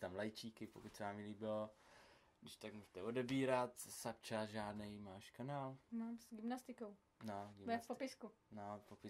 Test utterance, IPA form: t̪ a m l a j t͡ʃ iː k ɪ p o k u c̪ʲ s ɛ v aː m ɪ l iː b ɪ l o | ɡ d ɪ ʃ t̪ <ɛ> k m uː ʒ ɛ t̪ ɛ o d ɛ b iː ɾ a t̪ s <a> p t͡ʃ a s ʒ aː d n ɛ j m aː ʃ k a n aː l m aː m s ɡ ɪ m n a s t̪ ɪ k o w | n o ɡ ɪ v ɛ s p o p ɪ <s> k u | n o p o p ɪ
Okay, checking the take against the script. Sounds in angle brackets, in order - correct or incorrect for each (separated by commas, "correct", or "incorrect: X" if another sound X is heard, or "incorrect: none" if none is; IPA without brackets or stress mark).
incorrect: a, correct, correct